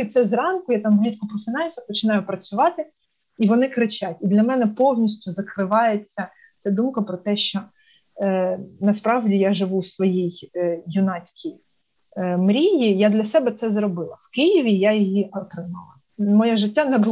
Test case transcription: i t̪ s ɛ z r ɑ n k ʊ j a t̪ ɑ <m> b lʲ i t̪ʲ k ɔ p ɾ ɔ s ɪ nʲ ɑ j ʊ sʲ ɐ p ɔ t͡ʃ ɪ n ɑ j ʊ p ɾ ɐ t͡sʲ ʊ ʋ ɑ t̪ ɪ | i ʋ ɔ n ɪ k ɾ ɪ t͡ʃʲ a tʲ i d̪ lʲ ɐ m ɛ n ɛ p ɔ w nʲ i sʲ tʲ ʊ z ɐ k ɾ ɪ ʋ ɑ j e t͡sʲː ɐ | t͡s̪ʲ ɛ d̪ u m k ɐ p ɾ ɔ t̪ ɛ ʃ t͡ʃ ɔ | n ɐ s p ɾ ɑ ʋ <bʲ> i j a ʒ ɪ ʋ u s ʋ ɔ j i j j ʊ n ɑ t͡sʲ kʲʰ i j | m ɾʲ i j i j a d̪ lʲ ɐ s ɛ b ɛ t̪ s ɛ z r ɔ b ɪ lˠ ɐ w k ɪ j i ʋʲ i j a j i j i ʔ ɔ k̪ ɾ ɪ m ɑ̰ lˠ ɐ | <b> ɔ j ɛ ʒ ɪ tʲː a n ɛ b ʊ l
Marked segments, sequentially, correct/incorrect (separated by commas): correct, incorrect, incorrect